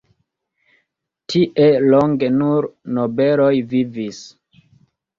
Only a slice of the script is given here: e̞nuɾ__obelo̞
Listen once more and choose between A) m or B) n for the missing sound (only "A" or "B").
B